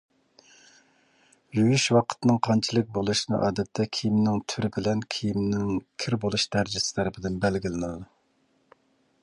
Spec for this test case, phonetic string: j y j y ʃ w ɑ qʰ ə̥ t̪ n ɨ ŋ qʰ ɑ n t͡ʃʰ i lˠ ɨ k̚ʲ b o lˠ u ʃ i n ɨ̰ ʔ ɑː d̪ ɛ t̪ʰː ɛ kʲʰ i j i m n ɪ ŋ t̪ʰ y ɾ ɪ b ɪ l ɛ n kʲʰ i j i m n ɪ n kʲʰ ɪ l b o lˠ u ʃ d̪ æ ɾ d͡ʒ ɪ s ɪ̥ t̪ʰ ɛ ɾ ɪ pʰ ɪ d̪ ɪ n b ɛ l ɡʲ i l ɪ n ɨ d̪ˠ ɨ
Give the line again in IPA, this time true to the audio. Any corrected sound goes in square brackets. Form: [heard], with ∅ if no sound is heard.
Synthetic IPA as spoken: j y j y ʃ w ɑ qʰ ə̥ t̪ n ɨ ŋ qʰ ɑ n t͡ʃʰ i lˠ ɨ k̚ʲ b o lˠ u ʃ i n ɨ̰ ʔ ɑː d̪ ɛ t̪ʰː ɛ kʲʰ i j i m n ɪ ŋ t̪ʰ y ɾ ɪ b ɪ l ɛ n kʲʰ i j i m n ɪ [ŋ] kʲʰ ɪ [ɾ] b o lˠ u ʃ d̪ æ ɾ d͡ʒ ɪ s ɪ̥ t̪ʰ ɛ ɾ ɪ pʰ ɪ d̪ ɪ n b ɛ l ɡʲ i l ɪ n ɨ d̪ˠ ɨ